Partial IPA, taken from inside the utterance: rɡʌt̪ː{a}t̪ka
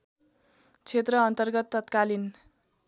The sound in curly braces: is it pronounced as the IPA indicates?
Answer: no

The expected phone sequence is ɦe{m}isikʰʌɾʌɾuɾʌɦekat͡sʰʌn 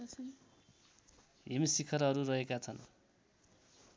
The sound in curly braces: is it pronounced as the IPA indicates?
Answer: yes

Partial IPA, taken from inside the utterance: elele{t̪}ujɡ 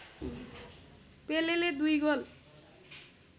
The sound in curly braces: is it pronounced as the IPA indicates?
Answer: no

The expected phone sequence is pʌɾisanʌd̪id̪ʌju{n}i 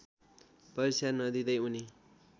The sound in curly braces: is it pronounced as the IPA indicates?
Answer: yes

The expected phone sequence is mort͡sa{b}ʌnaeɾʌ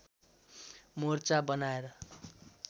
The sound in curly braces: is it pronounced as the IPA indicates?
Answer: yes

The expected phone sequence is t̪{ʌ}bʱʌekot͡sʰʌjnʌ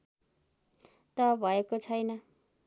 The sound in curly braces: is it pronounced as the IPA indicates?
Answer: yes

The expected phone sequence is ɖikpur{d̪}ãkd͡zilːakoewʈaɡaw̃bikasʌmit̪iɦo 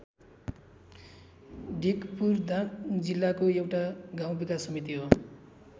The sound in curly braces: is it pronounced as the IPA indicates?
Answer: yes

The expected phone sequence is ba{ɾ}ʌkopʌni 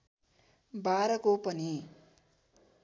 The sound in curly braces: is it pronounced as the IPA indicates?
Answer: yes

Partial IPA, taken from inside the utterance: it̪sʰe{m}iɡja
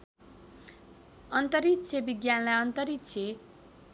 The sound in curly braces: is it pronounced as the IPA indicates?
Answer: no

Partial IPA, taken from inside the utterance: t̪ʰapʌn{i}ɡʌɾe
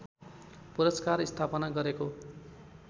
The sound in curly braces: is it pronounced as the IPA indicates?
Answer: no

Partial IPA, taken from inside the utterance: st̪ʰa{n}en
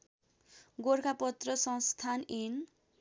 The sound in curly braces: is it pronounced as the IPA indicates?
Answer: yes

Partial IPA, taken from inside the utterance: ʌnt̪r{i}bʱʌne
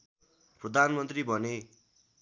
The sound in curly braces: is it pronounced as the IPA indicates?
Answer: yes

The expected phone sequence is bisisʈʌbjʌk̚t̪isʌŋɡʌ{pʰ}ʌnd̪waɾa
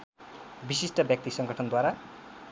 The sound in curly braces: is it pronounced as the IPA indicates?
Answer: no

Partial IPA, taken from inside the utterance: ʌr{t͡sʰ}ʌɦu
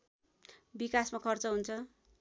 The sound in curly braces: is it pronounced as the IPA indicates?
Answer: no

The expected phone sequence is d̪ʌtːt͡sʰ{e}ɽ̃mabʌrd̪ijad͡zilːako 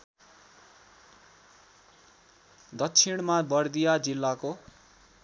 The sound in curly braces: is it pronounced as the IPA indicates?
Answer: no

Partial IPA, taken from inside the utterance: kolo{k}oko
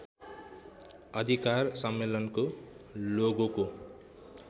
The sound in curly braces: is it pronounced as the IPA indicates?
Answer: no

